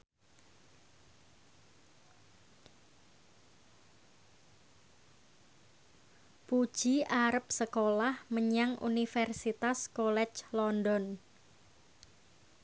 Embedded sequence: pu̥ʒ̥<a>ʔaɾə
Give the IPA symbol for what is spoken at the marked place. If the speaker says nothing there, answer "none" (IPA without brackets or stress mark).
i